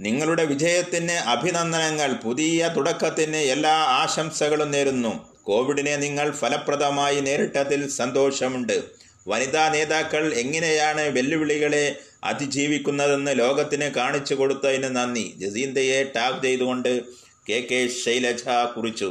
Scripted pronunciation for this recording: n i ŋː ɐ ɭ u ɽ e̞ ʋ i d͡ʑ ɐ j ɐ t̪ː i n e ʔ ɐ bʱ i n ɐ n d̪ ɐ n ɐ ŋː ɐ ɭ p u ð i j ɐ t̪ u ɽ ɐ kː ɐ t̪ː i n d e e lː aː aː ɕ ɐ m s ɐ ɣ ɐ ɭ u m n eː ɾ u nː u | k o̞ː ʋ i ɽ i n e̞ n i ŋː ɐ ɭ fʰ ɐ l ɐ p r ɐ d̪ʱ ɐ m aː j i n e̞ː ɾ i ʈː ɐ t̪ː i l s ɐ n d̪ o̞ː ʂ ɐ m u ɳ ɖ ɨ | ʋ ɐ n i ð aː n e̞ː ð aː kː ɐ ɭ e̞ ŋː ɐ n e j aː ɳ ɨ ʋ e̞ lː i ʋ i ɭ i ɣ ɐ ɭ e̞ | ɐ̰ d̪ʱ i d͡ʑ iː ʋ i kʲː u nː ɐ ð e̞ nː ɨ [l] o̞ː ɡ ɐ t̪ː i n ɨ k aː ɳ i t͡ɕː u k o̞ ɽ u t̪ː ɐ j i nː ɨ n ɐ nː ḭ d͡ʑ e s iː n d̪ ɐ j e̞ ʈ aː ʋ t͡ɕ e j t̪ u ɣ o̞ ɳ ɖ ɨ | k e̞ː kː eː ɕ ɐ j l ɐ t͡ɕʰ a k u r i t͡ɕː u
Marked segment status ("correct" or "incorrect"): correct